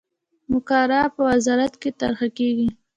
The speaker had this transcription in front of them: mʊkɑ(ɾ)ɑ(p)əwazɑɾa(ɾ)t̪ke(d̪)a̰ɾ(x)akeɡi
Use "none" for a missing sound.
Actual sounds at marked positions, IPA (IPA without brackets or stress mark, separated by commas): ɾ, p, none, t̪, x